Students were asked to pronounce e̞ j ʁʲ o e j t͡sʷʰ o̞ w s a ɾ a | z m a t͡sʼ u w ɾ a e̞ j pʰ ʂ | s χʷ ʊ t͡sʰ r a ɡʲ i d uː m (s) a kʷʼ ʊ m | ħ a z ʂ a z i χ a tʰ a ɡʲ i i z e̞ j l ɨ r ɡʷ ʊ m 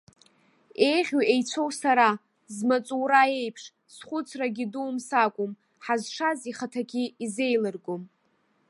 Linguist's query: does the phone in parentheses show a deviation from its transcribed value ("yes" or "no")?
no